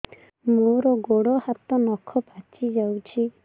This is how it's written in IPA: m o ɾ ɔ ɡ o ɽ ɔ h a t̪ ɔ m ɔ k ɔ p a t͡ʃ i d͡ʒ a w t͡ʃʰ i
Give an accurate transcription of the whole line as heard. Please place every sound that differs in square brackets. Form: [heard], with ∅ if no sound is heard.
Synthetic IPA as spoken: m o ɾ ɔ ɡ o ɽ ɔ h a t̪ ɔ [n] ɔ [kʰ] ɔ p a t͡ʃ i d͡ʒ a w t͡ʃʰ i